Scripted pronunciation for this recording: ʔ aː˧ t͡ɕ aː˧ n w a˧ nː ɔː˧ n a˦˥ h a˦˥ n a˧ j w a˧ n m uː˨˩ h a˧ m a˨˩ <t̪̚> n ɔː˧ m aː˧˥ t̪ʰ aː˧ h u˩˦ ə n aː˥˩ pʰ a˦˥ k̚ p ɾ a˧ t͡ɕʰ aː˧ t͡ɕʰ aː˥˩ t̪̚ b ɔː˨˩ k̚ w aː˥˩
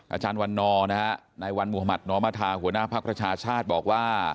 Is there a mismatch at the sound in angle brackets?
no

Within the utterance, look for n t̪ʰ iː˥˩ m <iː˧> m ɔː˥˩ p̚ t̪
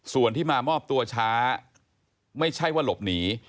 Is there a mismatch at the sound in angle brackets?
yes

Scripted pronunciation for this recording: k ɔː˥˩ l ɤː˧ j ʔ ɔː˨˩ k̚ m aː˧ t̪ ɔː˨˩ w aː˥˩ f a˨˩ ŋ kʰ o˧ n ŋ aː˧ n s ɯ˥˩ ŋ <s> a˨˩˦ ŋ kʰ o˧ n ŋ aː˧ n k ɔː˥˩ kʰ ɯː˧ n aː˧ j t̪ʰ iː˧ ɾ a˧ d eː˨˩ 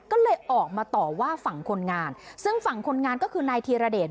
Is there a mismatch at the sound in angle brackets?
yes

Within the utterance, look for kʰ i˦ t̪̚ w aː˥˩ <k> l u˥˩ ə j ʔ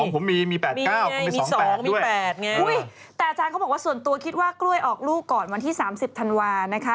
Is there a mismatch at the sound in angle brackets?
no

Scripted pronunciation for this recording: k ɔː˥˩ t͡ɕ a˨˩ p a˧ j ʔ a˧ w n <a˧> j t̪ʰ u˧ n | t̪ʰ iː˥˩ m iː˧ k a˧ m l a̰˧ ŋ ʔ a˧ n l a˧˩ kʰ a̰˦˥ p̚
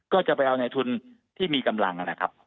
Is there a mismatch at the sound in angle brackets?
no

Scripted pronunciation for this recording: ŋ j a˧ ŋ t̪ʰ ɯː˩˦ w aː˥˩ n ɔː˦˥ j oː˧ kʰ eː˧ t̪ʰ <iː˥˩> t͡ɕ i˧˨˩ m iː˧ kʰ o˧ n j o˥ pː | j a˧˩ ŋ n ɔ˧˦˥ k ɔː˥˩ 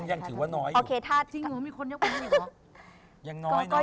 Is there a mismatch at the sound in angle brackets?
yes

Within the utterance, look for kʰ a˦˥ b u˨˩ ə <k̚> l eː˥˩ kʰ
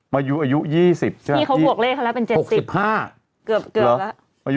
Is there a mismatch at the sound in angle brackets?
no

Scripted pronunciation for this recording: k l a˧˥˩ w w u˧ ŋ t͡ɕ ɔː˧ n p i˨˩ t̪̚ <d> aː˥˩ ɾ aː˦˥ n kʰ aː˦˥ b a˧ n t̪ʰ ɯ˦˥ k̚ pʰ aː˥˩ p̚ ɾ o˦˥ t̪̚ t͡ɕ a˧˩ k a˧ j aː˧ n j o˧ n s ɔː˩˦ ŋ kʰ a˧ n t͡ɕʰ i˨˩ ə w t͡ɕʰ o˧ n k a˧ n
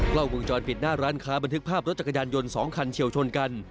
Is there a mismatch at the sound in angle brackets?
yes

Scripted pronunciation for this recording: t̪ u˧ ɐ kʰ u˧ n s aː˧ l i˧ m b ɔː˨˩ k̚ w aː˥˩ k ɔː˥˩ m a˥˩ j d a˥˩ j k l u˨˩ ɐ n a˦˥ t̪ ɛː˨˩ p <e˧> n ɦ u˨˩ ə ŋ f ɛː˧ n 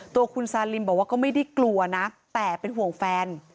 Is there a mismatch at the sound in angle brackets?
no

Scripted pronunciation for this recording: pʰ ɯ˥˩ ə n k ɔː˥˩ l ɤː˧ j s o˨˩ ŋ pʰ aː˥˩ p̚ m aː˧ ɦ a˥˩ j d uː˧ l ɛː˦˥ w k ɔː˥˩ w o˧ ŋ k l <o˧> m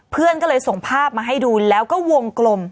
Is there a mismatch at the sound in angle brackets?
no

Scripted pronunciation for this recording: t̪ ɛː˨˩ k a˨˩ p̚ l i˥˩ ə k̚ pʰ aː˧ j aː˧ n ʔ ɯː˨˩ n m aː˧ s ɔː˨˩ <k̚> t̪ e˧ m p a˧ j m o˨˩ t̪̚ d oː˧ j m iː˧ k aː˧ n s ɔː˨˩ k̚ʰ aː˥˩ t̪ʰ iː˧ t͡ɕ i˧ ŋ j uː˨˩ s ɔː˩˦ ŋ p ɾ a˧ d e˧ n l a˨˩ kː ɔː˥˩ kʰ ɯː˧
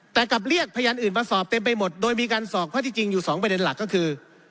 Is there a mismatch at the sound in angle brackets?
yes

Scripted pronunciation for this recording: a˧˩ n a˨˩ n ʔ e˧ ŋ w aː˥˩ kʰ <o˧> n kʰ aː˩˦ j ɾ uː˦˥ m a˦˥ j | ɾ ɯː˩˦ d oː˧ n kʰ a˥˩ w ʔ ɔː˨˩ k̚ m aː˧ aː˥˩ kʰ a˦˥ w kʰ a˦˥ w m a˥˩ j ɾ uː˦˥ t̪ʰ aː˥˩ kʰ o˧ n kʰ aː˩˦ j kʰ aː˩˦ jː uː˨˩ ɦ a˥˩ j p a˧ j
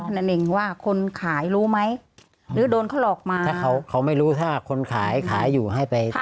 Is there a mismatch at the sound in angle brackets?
no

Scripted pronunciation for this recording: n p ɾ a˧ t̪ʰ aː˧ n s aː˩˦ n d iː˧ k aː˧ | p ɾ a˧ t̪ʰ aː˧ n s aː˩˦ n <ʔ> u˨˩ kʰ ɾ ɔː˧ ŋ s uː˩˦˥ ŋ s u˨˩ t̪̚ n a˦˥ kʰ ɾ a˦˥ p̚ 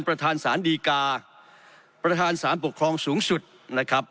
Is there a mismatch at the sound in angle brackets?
yes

